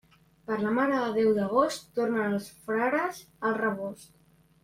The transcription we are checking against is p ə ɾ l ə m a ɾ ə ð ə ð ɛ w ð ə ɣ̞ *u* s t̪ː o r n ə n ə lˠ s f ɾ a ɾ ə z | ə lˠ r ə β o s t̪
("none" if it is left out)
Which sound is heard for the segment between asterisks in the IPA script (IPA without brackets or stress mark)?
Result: o